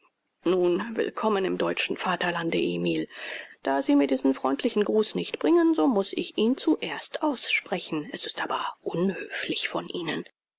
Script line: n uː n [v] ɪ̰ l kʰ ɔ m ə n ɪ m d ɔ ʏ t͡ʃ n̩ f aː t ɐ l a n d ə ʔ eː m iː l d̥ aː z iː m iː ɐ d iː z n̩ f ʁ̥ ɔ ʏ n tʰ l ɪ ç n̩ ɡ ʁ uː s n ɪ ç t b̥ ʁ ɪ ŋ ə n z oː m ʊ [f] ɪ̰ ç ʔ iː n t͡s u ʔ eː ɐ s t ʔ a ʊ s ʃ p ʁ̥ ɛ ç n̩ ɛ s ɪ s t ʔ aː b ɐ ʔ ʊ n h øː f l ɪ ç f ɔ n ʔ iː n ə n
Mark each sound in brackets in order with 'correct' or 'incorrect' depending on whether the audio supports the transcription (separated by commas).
correct, incorrect